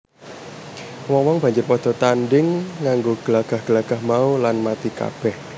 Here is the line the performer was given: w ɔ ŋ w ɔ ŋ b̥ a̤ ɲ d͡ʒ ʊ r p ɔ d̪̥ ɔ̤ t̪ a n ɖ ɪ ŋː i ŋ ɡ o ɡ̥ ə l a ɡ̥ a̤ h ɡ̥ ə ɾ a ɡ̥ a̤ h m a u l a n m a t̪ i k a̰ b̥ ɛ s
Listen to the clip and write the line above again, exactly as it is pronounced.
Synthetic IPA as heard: w ɔ ŋ w ɔ ŋ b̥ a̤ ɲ d͡ʒ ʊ r p ɔ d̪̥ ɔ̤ t̪ a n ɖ ɪ ŋː a ŋ ɡ o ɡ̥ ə l a ɡ̥ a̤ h ɡ̥ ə l a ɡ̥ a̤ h m a u l a n m a t̪ i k a̰ b̥ ɛ h